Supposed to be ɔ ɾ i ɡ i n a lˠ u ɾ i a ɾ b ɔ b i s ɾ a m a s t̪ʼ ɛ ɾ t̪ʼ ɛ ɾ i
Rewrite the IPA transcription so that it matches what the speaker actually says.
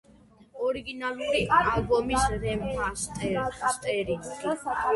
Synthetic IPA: ɔ ɾ i ɡ i n a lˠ u ɾ i a l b ɔ m i s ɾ ɛ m a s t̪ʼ ɛ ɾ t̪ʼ ɛ ɾ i

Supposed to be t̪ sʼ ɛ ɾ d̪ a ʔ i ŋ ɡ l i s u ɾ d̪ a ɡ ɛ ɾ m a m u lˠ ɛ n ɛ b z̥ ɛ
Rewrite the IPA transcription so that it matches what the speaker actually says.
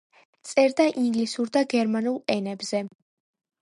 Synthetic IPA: t̪ sʼ ɛ ɾ d̪ a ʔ i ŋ ɡ l i s u ɾ d̪ a ɡ ɛ ɾ m a n u lˠ ɛ n ɛ b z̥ ɛ

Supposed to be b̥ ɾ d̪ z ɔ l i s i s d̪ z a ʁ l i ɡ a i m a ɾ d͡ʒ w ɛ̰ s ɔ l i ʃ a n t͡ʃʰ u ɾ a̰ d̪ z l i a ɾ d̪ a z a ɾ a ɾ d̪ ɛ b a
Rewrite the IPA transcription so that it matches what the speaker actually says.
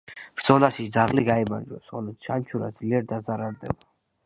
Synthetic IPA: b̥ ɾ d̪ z ɔ l a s i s d̪ z a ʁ l i ɡ a i m a ɾ d͡ʒ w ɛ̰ s ɔ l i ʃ a n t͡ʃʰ u ɾ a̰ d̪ z l i ɛ ɾ d̪ a z a ɾ a ɾ d̪ ɛ b a

